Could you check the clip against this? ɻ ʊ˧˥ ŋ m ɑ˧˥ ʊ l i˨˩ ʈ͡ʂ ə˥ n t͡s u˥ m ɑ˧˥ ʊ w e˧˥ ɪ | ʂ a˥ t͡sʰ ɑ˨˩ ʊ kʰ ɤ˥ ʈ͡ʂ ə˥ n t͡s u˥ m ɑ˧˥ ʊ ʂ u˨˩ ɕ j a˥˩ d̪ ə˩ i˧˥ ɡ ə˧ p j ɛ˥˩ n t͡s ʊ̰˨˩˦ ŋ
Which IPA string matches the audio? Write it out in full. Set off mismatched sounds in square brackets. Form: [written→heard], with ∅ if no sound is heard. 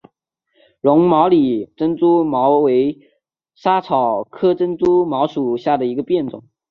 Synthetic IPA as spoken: ɻ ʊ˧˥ ŋ m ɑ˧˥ ʊ l i˨˩ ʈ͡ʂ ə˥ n t͡s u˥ m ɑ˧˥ ʊ w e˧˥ ɪ | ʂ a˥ t͡sʰ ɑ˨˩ ʊ kʰ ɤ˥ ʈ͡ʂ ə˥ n t͡s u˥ m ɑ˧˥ ʊ ʂ u˨˩ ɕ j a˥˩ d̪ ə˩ i˧˥ ɡ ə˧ p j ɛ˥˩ n t͡s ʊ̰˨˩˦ ŋ